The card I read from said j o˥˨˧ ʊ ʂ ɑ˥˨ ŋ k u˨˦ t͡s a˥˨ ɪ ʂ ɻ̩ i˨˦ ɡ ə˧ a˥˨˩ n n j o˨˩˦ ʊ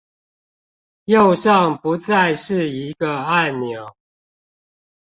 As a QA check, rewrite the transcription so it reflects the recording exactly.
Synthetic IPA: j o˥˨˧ ʊ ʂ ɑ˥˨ ŋ p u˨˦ t͡s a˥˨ ɪ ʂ ɻ̩ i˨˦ ɡ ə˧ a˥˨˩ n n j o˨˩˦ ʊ